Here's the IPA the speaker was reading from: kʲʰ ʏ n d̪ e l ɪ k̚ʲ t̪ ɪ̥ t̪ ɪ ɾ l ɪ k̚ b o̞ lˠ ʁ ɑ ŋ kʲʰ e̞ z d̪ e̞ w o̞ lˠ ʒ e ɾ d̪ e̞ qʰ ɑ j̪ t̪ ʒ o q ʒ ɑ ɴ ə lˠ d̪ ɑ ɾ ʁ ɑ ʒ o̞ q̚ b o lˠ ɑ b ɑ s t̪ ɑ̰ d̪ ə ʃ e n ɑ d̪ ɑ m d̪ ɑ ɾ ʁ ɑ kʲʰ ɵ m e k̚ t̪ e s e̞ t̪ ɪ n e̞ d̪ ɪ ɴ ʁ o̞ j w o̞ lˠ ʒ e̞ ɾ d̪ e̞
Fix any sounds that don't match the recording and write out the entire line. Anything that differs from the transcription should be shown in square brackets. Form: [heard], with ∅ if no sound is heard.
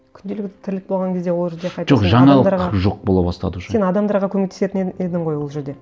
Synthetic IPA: kʲʰ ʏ n d̪ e l ɪ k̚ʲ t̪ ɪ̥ [t̪ʰ] ɪ ɾ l ɪ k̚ b o̞ lˠ ʁ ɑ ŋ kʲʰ e̞ z d̪ e̞ w o̞ lˠ ʒ e ɾ d̪ e̞ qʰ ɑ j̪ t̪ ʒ o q ʒ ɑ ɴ [ɑ] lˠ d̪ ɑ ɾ ʁ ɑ ʒ o̞ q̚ b o lˠ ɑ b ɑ s t̪ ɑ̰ d̪ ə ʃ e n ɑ d̪ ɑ m d̪ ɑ ɾ ʁ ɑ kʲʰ ɵ m e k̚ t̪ e s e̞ t̪ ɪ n e̞ d̪ ɪ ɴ ʁ o̞ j w o̞ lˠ ʒ e̞ ɾ d̪ e̞